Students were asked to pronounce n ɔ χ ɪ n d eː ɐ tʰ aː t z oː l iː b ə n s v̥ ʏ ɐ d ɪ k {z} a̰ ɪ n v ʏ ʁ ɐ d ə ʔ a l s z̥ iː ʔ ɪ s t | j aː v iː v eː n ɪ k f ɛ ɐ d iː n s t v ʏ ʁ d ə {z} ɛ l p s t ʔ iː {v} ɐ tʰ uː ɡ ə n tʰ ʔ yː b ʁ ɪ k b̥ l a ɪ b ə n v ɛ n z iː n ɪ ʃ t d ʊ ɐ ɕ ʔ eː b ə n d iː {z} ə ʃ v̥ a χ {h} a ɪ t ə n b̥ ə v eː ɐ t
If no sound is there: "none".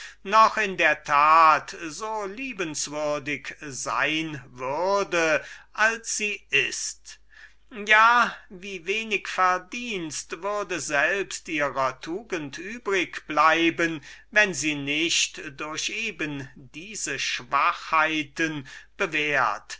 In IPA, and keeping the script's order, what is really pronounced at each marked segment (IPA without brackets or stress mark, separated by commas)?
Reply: z, z, ʁ, z, h